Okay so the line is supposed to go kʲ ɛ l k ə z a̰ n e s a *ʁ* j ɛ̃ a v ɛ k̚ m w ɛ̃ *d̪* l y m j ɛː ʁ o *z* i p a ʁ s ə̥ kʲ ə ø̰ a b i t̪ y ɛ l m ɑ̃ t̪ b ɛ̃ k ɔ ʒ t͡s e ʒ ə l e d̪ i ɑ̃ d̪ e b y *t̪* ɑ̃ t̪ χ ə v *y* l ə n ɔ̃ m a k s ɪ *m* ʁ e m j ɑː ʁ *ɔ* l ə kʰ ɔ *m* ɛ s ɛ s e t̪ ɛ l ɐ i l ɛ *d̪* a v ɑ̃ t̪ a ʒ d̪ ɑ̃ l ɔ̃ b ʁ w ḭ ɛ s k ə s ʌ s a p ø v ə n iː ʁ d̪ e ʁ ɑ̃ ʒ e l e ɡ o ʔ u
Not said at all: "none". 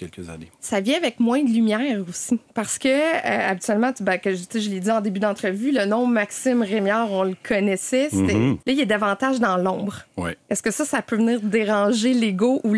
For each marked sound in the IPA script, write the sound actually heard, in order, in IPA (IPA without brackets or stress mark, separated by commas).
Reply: v, d̪, s, d̪, y, m, ɔ̃, n, d̪